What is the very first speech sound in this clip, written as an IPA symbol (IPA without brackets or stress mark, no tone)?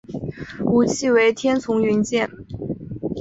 u